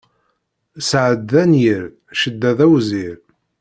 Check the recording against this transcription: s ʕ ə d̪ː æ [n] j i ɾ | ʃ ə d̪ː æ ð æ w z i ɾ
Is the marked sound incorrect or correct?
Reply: correct